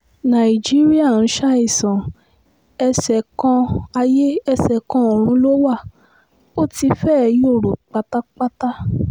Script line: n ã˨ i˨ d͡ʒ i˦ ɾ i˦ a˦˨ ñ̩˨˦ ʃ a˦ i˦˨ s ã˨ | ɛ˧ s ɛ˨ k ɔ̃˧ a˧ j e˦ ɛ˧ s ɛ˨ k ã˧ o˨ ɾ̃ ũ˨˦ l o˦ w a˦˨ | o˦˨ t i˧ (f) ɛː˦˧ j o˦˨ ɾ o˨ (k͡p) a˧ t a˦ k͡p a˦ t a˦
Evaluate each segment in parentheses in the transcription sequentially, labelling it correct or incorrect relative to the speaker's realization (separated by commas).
correct, correct